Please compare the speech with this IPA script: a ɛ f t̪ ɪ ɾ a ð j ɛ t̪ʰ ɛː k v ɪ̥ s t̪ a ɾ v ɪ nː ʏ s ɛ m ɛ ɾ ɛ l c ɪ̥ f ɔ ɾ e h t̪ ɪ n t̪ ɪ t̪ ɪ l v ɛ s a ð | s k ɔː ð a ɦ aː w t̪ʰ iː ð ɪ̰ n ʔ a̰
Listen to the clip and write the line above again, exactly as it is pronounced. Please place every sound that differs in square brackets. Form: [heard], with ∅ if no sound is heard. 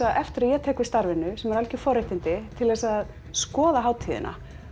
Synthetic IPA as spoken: a ɛ f t̪ ɪ ɾ a ð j ɛ t̪ʰ ɛː k v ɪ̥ s t̪ a ɾ v ɪ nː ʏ s ɛ m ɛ ɾ [a] l c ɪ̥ f ɔ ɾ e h t̪ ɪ n t̪ ɪ [t̪ʰ] ɪ l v ɛ s a ð | s k ɔː ð a ɦ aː w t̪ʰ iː ð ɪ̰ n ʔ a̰